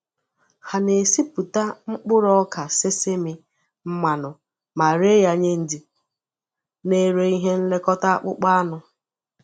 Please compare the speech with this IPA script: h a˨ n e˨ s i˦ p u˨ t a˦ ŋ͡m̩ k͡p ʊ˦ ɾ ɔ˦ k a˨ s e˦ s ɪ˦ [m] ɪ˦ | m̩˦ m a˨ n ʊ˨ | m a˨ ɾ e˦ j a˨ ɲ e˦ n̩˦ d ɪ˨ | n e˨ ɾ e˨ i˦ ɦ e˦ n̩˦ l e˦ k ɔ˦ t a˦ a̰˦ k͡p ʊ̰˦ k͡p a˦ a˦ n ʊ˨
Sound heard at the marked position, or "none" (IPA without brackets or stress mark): m